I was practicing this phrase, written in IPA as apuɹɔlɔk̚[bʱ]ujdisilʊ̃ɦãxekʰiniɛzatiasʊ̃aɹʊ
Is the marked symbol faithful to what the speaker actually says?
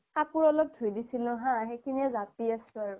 no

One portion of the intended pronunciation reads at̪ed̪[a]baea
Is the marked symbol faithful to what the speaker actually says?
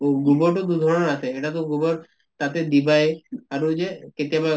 no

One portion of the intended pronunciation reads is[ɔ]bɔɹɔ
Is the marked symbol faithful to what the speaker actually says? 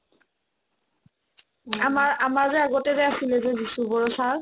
no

